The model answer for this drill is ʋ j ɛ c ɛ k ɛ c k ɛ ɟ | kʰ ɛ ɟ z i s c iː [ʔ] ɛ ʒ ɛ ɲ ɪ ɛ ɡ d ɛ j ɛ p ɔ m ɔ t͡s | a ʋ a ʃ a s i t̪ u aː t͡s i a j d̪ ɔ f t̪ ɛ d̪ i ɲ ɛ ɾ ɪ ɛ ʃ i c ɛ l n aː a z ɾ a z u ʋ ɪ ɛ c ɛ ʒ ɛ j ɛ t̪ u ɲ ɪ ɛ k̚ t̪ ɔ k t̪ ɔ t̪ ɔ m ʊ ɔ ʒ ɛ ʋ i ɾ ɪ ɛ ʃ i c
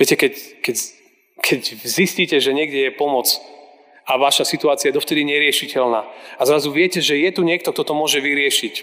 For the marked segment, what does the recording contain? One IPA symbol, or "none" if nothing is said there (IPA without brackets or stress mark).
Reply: c